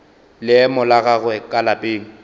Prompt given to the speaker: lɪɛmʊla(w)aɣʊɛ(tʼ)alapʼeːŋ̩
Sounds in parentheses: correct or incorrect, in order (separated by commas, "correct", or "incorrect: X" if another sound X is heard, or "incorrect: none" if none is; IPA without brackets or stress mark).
incorrect: ɣ, incorrect: kʼ